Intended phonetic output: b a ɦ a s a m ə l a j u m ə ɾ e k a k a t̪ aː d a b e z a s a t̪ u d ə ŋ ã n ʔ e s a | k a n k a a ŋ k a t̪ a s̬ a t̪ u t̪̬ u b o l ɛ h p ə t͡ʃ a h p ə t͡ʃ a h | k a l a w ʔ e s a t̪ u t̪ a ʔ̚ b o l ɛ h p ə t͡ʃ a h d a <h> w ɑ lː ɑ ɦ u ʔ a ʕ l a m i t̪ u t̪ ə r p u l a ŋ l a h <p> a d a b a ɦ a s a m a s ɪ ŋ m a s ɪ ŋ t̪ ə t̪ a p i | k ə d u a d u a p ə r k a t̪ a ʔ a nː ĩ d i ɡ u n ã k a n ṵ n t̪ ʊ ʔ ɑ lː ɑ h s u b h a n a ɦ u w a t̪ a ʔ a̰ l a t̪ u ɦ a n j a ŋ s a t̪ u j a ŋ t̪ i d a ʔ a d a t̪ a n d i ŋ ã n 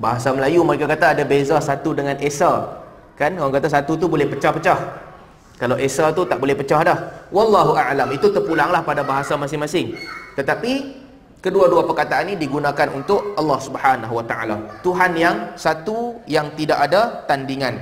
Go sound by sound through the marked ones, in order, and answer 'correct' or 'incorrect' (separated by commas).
correct, correct